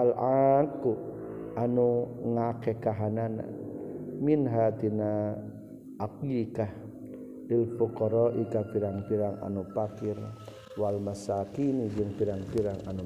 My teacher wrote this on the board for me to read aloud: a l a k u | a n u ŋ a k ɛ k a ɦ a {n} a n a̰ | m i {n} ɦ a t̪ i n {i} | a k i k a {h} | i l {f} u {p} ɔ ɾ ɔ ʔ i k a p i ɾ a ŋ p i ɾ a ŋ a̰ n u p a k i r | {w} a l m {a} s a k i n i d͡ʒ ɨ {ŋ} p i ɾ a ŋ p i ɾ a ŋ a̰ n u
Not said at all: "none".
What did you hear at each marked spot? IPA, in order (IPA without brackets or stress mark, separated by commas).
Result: n, n, a, h, f, k, w, a, ŋ